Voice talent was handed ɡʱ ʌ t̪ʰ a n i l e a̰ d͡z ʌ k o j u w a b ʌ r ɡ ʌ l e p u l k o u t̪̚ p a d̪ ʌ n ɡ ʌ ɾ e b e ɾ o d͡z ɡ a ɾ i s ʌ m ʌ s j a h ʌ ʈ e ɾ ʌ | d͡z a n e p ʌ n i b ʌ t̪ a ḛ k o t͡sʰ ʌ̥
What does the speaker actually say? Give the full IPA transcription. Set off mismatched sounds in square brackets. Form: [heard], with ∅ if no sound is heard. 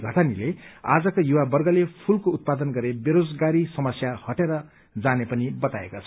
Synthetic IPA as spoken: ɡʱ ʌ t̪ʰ a n i l e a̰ d͡z ʌ k o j u w a b ʌ r ɡ ʌ l e [pʰ] u l k o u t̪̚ p a d̪ ʌ n ɡ ʌ ɾ e b e ɾ o d͡z ɡ a ɾ i s ʌ m ʌ s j a h ʌ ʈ e ɾ ʌ | d͡z a n e p ʌ n i b ʌ t̪ a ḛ k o t͡sʰ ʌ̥